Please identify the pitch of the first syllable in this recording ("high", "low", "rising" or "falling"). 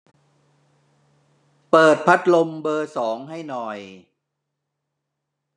low